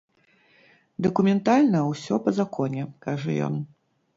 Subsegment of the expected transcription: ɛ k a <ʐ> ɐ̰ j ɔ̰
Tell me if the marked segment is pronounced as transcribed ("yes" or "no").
yes